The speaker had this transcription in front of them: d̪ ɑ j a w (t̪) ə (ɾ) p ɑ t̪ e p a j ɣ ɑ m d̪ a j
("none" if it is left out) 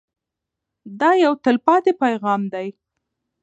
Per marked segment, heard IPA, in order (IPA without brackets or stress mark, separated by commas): t̪, l